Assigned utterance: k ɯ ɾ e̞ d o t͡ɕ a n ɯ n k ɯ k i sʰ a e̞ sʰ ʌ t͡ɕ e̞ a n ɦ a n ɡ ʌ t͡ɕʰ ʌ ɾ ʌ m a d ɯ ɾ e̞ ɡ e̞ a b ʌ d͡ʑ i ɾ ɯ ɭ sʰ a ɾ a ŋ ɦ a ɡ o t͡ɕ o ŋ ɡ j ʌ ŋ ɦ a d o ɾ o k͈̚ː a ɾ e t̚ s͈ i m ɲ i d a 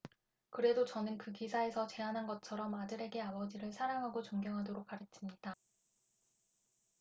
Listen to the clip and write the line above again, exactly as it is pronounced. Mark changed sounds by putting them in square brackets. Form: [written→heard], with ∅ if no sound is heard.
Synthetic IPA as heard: k ɯ ɾ e̞ d o t͡ɕ [a→ʌ] n ɯ n k ɯ k i sʰ a e̞ sʰ ʌ t͡ɕ e̞ a n ɦ a n ɡ ʌ t͡ɕʰ ʌ ɾ ʌ m a d ɯ ɾ e̞ ɡ e̞ a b ʌ d͡ʑ i ɾ ɯ ɭ sʰ a ɾ a ŋ ɦ a ɡ o t͡ɕ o ŋ ɡ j ʌ ŋ ɦ a d o ɾ o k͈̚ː a ɾ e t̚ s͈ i m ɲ i d a

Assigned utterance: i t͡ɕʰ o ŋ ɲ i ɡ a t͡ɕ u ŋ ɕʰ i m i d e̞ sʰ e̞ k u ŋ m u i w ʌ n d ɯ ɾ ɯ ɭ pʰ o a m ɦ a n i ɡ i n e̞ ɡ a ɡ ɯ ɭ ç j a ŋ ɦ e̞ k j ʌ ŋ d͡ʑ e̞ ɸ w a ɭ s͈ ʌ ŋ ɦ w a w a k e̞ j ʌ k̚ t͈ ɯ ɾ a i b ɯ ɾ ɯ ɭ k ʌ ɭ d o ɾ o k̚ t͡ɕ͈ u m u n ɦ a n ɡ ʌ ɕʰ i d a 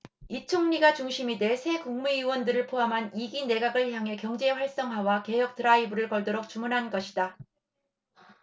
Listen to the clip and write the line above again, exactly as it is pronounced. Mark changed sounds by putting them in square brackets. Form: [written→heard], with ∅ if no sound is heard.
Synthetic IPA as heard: i t͡ɕʰ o ŋ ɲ i ɡ a t͡ɕ u ŋ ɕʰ i m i d e̞ sʰ e̞ k u ŋ m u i w ʌ n d ɯ ɾ ɯ ɭ pʰ o a m ɦ a n i ɡ i n e̞ ɡ a ɡ ɯ ɭ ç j a ŋ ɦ e̞ k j ʌ ŋ d͡ʑ e̞ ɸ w a ɭ s͈ ʌ ŋ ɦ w a w a k e̞ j ʌ k̚ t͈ ɯ ɾ a i b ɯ ɾ ɯ ɭ k ʌ ɭ d o ɾ o k̚ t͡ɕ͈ u m u n ɦ a n ɡ ʌ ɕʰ i d a

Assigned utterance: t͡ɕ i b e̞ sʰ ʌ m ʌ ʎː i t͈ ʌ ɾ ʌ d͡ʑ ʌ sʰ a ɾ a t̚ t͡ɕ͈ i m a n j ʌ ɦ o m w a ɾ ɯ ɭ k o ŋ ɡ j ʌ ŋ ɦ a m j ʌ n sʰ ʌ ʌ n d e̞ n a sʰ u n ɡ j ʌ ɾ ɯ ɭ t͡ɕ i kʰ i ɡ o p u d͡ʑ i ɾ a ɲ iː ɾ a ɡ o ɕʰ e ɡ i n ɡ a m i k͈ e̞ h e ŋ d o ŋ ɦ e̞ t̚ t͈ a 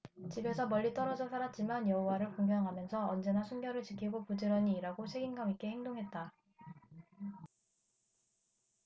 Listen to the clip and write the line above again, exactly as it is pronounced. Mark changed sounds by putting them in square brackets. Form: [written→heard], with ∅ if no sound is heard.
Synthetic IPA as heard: t͡ɕ i b e̞ sʰ ʌ m ʌ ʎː i t͈ ʌ ɾ ʌ d͡ʑ ʌ sʰ a ɾ a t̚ t͡ɕ͈ i m a n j ʌ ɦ o [m→∅] w a ɾ ɯ ɭ k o ŋ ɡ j ʌ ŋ ɦ a m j ʌ n sʰ ʌ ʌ n [d→d͡ʑ] e̞ n a sʰ u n ɡ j ʌ ɾ ɯ ɭ t͡ɕ i kʰ i ɡ o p u d͡ʑ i ɾ [a→ʌ] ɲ iː ɾ a ɡ o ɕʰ e ɡ i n ɡ a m i k͈ e̞ h e ŋ d o ŋ ɦ e̞ t̚ t͈ a

